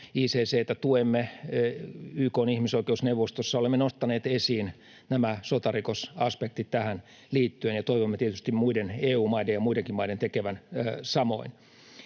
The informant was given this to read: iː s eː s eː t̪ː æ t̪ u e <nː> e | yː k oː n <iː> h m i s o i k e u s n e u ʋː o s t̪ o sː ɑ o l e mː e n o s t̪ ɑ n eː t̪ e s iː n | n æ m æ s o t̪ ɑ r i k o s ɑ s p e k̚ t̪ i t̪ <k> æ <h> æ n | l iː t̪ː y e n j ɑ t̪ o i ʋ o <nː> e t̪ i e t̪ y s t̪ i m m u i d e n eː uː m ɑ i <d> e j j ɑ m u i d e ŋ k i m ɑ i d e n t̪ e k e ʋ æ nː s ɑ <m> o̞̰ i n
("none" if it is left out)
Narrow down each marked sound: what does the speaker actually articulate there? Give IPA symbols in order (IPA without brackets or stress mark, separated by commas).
mː, i, t, h, mː, d, m